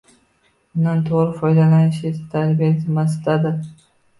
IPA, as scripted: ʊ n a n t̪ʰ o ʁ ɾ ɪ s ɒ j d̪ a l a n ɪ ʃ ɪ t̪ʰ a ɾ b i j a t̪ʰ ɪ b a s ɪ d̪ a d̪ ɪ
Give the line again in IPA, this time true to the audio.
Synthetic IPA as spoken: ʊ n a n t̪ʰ o ʁ ɾ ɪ f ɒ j d̪ a l a n ɪ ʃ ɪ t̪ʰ a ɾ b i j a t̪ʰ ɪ m a s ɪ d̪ a d̪ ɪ